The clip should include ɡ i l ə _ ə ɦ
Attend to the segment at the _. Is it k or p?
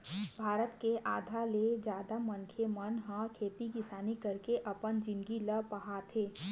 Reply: p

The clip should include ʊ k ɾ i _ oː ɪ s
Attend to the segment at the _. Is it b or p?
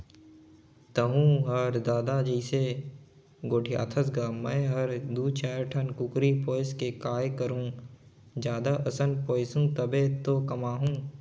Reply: p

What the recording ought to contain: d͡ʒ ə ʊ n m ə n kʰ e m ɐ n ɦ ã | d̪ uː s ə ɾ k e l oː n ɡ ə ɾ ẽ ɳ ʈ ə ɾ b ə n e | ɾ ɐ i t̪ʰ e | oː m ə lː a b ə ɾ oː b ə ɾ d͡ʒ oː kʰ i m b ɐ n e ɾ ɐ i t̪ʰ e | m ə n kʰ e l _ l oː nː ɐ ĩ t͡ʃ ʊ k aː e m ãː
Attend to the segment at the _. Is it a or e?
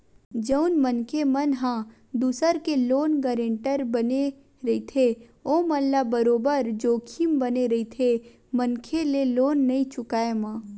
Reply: e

